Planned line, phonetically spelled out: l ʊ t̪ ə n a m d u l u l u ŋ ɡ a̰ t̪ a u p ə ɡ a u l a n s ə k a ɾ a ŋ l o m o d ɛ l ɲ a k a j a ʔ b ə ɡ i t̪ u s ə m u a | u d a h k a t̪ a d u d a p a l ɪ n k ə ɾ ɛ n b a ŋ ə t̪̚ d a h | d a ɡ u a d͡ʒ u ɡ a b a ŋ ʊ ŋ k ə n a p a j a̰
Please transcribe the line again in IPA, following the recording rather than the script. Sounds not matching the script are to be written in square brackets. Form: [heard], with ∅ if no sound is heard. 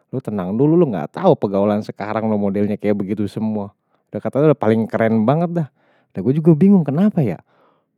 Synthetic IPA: l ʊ t̪ ə n a [ŋ] d u l u l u ŋ ɡ a̰ t̪ a u p ə ɡ a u l a n s ə k a ɾ a ŋ l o m o d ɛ l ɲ a k a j a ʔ b ə ɡ i t̪ u s ə m u a | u d a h k a t̪ a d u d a p a l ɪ [ŋ] k ə ɾ ɛ n b a ŋ ə t̪̚ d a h | d a ɡ u a d͡ʒ u ɡ a b [i] ŋ ʊ ŋ k ə n a p a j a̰

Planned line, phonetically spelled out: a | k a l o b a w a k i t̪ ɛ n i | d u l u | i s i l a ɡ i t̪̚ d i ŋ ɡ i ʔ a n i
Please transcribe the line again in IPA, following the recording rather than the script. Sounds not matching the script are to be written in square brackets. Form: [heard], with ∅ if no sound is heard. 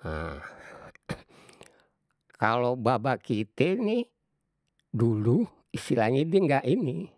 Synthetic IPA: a | k a l o b a [b] a k i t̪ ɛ n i | d u l u | i s i l a [ŋ] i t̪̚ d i ŋ ɡ [a] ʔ [i] n i

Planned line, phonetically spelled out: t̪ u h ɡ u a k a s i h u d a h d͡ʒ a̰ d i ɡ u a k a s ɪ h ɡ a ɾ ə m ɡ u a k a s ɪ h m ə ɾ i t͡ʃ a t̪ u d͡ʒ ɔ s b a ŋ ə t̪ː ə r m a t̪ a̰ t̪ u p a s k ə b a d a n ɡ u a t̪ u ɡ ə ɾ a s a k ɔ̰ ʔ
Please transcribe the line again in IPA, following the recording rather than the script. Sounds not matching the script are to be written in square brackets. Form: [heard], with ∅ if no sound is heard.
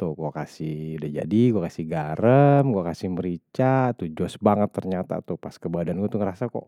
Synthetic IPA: t̪ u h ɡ u a k a s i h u d a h d͡ʒ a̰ d i ɡ u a k a s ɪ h ɡ a ɾ ə m ɡ u a k a s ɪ h m ə ɾ i t͡ʃ a t̪ u d͡ʒ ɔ s b a ŋ ə t̪ː ə r [ɲ] a t̪ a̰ t̪ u p a s k ə b a d a n ɡ u a t̪ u [ŋ] ə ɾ a s a k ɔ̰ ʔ

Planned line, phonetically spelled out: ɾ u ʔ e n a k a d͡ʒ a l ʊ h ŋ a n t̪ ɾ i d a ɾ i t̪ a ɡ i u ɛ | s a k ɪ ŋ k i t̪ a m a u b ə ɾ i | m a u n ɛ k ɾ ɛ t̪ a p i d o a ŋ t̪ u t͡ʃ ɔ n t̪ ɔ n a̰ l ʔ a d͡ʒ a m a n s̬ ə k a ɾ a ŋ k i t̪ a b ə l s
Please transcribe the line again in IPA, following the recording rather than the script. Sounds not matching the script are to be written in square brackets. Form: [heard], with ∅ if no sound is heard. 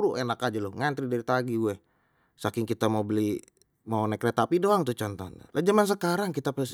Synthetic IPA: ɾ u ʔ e n a k a d͡ʒ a l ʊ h ŋ a n t̪ ɾ i d a ɾ i t̪ a ɡ i u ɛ | s a k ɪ ŋ k i t̪ a m a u b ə [l] i | m a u n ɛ k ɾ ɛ t̪ a p i d o a ŋ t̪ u t͡ʃ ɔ n t̪ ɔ n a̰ l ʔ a d͡ʒ a m a n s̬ ə k a ɾ a ŋ k i t̪ a [p] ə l s

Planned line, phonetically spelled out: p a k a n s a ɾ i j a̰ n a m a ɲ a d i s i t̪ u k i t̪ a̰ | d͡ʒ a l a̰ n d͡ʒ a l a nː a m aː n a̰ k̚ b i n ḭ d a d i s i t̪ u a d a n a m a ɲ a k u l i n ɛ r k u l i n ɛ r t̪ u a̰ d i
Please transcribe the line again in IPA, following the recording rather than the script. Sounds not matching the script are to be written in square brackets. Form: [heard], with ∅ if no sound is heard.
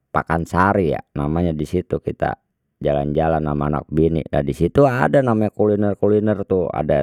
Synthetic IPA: p a k a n s a ɾ i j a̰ n a m a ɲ a d i s i t̪ u k i t̪ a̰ | d͡ʒ a l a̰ n d͡ʒ a l a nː a m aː n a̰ k̚ b i n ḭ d a d i s i t̪ u a d a n a m a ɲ a k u l i n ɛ r k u l i n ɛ r t̪ u a̰ d [a]

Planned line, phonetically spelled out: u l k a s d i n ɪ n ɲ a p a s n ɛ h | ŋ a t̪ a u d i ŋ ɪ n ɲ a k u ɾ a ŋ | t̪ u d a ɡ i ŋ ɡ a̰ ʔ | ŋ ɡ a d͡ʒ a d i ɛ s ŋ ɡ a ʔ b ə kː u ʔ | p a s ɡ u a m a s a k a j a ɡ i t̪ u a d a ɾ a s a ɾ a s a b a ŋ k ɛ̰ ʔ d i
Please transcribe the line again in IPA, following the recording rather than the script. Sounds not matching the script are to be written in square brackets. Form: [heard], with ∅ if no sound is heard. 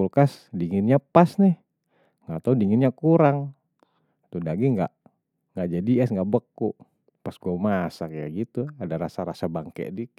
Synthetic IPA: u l k a s d i [ŋ] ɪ n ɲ a p a s n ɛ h | ŋ a t̪ a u d i ŋ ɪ n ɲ a k u ɾ a ŋ | t̪ u d a ɡ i ŋ ɡ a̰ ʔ | ŋ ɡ a d͡ʒ a d i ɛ s ŋ ɡ a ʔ b ə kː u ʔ | p a s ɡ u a m a s a k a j a ɡ i t̪ u a d a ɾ a s a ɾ a s a b a ŋ k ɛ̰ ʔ d i

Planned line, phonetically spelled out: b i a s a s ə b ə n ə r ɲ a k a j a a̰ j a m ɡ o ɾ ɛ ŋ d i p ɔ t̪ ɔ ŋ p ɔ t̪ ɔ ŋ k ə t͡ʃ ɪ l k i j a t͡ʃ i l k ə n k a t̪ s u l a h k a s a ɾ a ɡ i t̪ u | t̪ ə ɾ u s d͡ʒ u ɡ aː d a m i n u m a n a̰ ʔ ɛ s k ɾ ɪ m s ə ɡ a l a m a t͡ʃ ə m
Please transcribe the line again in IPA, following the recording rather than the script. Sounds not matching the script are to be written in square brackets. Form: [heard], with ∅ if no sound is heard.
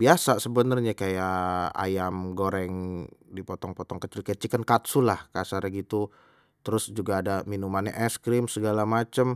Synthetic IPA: b i a s a s ə b ə n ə r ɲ a k a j a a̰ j a m ɡ o ɾ ɛ ŋ d i p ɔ t̪ ɔ ŋ p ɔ t̪ ɔ ŋ k ə t͡ʃ ɪ l k [a] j a t͡ʃ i [∅] k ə n k a t̪ s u l a h k a s a ɾ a ɡ i t̪ u | t̪ ə ɾ [ʊ] s d͡ʒ u ɡ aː d a m i n u m a n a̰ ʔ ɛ s k ɾ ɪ m s ə ɡ a l a m a t͡ʃ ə m

